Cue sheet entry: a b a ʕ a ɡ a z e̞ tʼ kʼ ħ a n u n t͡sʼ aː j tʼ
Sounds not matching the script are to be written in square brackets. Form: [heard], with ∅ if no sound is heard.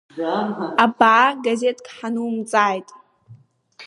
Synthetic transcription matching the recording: a b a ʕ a ɡ a z e̞ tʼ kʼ ħ a n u [m] t͡sʼ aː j tʼ